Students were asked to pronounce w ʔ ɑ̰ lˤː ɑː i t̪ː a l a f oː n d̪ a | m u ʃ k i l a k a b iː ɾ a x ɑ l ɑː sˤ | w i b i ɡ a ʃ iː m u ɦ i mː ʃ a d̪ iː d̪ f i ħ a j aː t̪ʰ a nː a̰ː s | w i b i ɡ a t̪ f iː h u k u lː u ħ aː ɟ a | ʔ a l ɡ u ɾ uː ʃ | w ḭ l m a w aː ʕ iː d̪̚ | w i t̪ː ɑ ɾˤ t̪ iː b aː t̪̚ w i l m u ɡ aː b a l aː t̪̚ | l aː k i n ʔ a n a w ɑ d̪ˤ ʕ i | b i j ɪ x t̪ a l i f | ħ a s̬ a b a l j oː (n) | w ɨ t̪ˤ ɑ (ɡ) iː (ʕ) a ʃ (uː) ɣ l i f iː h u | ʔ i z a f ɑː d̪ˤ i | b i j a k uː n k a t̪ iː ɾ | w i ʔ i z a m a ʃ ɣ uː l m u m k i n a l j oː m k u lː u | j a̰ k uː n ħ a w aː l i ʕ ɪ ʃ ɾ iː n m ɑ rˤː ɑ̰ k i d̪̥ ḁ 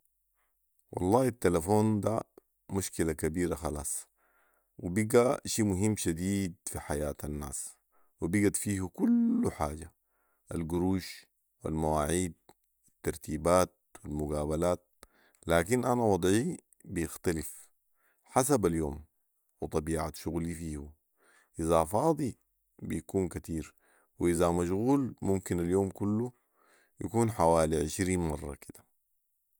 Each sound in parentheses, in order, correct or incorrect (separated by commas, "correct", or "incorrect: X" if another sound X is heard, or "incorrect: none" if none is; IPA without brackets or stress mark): incorrect: m, incorrect: b, correct, incorrect: u